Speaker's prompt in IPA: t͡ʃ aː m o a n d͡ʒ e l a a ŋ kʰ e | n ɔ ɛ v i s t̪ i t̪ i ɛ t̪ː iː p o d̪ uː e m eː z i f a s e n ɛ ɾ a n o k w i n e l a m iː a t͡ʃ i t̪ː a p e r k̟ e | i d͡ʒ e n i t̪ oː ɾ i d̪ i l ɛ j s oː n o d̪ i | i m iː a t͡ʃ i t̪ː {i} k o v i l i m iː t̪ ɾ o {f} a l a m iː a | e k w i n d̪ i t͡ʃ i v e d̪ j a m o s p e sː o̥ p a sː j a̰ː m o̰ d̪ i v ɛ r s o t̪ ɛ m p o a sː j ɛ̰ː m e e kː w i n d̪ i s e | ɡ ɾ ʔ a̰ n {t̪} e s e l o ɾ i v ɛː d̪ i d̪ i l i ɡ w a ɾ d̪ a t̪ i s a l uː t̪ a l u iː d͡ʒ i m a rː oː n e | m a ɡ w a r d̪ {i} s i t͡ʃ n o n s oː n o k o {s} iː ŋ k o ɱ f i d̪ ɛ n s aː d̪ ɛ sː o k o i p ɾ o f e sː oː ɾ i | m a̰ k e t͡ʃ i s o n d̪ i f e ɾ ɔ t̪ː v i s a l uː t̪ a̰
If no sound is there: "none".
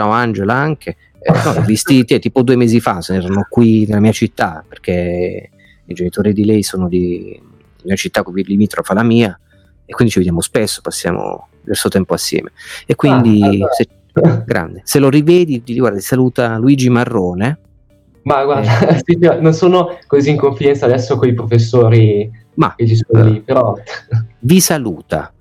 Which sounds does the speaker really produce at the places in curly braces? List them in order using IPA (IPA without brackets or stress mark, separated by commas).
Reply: a, f, d̪, a, z